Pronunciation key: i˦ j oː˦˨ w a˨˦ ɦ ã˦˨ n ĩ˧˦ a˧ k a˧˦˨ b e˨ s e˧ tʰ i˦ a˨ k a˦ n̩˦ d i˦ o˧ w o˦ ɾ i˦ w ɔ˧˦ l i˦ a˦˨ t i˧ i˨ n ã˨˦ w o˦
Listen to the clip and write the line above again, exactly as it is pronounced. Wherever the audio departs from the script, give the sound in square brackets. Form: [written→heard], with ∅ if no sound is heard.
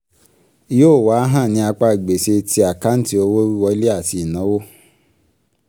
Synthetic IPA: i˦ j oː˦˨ w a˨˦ ɦ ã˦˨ n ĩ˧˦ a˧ [k→k͡p] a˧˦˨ [b→ɡ͡b] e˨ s e˧ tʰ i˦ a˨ k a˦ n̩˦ [d→t] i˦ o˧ w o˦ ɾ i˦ w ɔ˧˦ l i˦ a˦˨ t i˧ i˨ n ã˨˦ w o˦

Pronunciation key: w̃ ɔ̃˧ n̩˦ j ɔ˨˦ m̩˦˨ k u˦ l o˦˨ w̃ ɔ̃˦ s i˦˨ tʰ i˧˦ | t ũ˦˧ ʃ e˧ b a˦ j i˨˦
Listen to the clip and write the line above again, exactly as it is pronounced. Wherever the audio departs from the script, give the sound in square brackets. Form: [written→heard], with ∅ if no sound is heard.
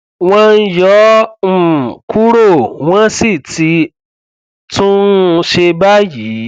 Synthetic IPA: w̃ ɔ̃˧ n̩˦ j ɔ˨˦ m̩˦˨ k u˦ [l→ɾ] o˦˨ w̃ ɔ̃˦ s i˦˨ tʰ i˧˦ | t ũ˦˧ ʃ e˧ b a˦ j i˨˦

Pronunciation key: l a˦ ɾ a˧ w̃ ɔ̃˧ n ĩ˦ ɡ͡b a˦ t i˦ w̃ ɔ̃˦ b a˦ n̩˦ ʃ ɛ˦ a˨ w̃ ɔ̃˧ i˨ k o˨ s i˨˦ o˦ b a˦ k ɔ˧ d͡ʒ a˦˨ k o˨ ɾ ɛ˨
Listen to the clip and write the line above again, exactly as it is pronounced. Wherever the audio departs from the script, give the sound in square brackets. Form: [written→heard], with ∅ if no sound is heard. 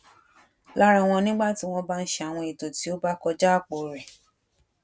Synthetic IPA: l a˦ ɾ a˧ w̃ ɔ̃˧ n ĩ˦ ɡ͡b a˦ t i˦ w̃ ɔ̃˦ b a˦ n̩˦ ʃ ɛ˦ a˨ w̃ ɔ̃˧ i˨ [k→t] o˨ [s→t] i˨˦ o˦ b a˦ k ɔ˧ d͡ʒ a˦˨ [k→k͡p] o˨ ɾ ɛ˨

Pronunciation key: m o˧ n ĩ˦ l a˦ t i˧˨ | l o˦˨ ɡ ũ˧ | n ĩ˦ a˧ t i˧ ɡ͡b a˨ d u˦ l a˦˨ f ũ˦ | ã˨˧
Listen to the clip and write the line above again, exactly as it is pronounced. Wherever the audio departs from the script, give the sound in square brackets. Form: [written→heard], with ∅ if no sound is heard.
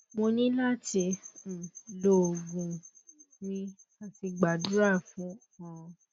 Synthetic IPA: m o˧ n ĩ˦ l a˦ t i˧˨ | l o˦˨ ɡ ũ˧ | n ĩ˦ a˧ t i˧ ɡ͡b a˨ d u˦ [l→ɾ] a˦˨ f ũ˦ | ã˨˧

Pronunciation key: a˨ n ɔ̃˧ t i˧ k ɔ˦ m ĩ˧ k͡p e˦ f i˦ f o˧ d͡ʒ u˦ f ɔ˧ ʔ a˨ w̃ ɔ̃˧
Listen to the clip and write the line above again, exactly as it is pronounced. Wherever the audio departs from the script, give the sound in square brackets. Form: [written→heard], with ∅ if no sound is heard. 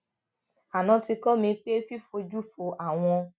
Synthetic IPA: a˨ n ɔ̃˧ t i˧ k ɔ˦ m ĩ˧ k͡p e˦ f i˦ f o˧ d͡ʒ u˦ f [ɔ˧→o˧] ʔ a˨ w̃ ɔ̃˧

